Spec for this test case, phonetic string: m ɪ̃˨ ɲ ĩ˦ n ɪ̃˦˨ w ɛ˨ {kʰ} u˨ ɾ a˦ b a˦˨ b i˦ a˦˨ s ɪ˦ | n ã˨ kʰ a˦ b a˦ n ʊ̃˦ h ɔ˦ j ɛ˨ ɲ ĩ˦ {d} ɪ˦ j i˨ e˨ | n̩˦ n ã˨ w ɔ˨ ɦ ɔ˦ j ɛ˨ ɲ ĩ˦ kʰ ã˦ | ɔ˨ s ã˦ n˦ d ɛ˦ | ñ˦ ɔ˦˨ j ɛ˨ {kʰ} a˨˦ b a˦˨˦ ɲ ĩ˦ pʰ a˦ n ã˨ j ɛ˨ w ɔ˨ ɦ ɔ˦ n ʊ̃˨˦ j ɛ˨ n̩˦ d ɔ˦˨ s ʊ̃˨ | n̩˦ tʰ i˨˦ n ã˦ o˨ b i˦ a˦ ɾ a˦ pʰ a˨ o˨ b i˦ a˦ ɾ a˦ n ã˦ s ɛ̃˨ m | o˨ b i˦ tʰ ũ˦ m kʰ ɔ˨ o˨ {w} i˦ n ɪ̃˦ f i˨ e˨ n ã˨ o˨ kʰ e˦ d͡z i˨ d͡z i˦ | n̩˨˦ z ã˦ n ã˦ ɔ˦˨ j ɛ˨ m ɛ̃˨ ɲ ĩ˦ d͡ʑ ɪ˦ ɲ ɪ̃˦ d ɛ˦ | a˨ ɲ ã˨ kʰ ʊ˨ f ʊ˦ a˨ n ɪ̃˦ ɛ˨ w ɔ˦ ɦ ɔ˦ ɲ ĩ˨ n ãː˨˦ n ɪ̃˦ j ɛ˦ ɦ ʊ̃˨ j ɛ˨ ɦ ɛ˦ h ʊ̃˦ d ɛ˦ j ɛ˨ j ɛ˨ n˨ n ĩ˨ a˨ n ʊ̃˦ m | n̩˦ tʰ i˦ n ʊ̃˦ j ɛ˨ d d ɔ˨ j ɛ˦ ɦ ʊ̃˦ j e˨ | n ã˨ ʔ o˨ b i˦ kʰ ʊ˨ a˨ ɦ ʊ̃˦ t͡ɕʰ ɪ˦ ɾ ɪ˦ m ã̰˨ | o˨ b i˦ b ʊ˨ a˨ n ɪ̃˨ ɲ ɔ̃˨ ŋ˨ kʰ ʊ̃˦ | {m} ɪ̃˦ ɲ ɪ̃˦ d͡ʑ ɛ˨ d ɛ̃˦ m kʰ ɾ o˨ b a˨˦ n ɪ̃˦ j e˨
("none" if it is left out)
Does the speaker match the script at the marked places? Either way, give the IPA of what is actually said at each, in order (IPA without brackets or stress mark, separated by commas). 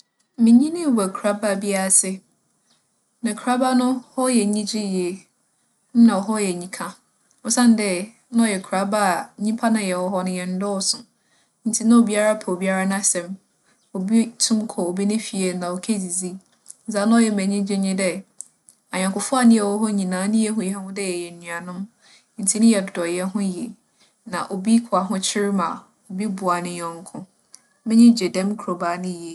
kʰ, d͡ʑ, kʰ, b, m